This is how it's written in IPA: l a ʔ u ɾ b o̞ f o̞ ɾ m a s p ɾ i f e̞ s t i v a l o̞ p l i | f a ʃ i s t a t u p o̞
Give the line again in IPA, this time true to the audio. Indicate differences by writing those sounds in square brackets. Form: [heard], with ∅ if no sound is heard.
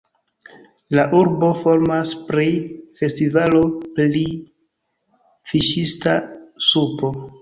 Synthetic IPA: l a ʔ u ɾ b o̞ f o̞ ɾ m a s p ɾ i f e̞ s t i v a l o̞ p l i | f [i] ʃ i s t a [s] u p o̞